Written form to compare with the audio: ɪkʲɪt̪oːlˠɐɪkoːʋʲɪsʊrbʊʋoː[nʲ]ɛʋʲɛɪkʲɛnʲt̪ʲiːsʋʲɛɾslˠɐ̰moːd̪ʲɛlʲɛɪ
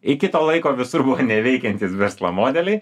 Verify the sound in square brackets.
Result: correct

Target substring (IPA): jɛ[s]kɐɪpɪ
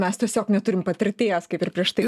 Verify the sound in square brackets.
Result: correct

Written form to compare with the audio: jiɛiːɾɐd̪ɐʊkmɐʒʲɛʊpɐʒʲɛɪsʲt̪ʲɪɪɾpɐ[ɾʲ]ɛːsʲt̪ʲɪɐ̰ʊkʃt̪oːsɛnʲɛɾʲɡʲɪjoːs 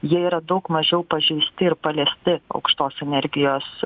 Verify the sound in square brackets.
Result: incorrect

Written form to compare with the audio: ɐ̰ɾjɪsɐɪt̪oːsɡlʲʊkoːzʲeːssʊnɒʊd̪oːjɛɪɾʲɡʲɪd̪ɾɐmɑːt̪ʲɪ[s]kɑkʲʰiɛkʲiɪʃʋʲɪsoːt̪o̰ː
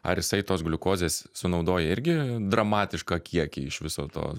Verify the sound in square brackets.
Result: incorrect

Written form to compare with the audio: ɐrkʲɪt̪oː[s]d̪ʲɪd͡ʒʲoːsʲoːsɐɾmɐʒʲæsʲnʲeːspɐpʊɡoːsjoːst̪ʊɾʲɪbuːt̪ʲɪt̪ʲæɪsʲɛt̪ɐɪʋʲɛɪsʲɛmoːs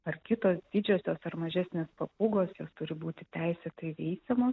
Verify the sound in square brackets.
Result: correct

